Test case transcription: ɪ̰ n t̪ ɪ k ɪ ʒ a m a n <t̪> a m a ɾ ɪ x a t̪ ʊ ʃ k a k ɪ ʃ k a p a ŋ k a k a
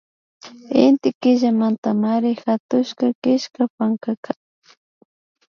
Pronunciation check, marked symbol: correct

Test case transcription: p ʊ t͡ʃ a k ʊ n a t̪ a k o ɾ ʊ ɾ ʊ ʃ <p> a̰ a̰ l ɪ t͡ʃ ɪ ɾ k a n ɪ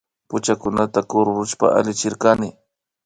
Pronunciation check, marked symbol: correct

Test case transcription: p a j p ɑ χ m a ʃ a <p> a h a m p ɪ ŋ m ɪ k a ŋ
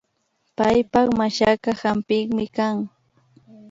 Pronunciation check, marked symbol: incorrect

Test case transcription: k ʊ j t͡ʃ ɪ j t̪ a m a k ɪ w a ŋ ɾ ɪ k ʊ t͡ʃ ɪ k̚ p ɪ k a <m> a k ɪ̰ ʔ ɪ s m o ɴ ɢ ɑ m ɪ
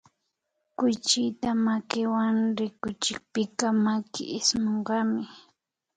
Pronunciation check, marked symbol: correct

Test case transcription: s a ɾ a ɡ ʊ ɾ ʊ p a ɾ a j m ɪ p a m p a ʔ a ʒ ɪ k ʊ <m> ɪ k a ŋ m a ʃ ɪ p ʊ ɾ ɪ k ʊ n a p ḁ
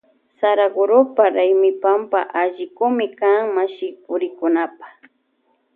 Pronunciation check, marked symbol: correct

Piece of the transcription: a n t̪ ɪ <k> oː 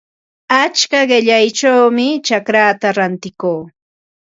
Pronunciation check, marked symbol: correct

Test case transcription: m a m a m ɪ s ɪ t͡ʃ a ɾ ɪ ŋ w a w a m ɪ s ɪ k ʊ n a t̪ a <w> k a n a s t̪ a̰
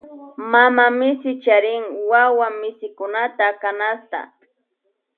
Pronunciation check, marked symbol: incorrect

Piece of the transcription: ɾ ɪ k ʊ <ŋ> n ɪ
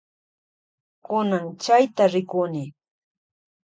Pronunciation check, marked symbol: incorrect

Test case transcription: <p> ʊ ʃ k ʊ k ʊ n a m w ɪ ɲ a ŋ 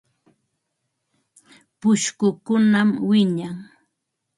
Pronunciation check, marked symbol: correct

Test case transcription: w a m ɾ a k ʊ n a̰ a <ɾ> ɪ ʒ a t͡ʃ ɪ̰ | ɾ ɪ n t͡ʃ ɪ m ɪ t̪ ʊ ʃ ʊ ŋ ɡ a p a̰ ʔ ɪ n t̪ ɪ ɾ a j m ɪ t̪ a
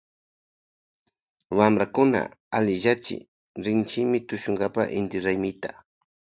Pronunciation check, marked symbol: incorrect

